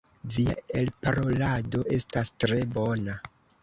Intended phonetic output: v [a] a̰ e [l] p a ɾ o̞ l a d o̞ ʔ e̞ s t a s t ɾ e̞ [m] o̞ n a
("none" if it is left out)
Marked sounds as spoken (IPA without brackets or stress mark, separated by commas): i, l, b